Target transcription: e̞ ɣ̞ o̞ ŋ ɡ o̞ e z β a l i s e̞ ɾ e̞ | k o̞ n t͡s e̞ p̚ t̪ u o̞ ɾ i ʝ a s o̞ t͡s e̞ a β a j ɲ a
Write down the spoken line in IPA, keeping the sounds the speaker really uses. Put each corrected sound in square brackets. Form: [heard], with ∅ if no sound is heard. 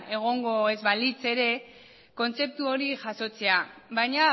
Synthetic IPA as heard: e̞ ɣ̞ o̞ ŋ ɡ o̞ e z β a l i [t͡s] e̞ ɾ e̞ | k o̞ n t͡s e̞ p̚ t̪ u o̞ ɾ i ʝ a s o̞ t͡s e̞ a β a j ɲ a